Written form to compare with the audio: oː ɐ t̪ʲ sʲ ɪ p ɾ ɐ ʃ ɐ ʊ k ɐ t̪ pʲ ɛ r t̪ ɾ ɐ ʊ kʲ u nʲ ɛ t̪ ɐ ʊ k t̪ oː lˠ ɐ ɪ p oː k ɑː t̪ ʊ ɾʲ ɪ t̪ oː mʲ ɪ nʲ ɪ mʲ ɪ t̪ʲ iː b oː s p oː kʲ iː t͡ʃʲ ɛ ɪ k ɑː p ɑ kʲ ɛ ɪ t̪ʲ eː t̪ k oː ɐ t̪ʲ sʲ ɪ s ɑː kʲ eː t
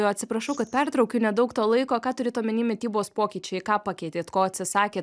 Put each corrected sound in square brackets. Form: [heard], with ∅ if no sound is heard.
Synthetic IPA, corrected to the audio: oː ɐ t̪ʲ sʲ ɪ p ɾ ɐ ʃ ɐ ʊ k ɐ t̪ pʲ ɛ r t̪ ɾ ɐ ʊ kʲ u nʲ ɛ [d̪] ɐ ʊ k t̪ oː lˠ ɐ ɪ [k] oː k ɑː t̪ ʊ ɾʲ ɪ t̪ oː mʲ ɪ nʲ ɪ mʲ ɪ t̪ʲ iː b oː s p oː kʲ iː t͡ʃʲ ɛ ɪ k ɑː p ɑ kʲ ɛ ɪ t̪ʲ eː t̪ k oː ɐ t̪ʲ sʲ ɪ s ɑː kʲ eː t